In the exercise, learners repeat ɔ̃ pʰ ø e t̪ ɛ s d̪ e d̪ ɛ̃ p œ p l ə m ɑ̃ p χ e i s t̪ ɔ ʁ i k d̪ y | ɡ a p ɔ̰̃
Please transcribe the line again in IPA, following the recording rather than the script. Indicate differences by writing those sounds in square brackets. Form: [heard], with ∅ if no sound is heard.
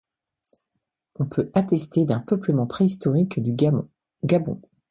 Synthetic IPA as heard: ɔ̃ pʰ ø [a] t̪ ɛ s [t̪] e d̪ ɛ̃ p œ p l ə m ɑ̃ p χ e i s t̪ ɔ ʁ i k d̪ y | ɡ a [b] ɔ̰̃